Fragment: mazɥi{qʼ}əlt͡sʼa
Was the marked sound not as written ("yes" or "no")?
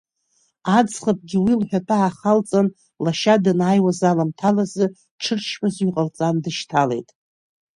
no